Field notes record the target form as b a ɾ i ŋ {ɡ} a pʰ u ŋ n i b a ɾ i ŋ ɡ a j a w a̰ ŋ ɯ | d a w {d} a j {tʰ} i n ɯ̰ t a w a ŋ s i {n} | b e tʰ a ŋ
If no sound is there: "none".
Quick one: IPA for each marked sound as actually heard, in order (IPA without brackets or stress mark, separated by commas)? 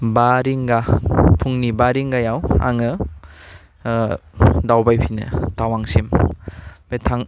ɡ, b, pʰ, m